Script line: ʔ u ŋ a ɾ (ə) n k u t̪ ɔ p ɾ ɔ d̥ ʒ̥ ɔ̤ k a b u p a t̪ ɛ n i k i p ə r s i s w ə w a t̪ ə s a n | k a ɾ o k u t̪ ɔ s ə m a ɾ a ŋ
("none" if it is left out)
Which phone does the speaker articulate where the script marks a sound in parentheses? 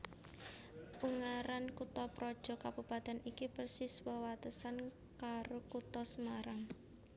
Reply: a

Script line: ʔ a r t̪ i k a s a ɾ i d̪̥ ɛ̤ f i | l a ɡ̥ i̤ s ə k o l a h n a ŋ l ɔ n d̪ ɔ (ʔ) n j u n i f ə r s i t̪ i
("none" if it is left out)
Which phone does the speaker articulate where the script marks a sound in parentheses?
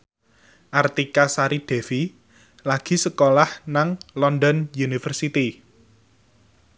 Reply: none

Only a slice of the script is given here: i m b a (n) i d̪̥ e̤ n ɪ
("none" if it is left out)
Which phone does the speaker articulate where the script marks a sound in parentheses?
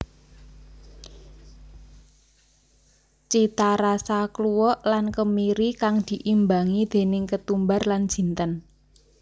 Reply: ŋ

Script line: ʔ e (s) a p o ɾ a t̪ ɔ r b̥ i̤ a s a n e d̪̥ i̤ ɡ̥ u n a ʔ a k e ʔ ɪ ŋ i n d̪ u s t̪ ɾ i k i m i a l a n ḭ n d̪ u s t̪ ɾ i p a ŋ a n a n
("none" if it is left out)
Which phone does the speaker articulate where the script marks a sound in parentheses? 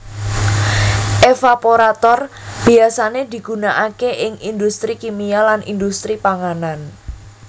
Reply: f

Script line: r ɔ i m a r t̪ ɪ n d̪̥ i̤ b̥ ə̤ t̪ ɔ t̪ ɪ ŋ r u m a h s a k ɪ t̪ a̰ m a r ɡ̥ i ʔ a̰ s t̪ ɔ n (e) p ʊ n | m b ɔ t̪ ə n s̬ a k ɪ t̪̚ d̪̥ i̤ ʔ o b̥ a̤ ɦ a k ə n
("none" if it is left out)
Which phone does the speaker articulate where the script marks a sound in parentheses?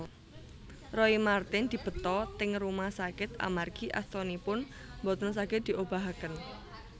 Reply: i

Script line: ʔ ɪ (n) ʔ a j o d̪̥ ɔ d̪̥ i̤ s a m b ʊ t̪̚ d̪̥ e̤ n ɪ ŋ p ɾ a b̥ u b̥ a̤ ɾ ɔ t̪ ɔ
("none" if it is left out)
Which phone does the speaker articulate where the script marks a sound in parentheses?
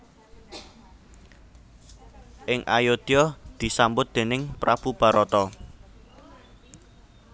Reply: ŋ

